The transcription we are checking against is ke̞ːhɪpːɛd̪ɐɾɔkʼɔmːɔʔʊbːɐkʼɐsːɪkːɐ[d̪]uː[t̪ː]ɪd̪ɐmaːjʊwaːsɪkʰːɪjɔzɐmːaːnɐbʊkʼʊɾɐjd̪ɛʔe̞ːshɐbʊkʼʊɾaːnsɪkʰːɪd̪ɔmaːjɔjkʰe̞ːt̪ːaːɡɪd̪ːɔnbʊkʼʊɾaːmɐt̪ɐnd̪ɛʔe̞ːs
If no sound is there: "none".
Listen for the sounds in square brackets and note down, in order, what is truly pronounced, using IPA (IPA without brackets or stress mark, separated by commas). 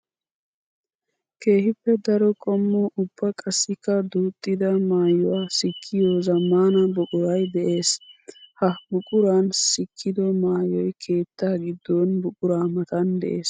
d̪, t̪ʼː